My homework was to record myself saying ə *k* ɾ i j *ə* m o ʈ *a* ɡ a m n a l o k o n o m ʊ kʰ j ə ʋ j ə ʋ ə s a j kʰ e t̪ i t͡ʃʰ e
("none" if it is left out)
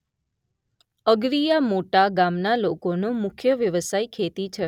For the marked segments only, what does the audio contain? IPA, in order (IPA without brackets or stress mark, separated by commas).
ɡ, a, a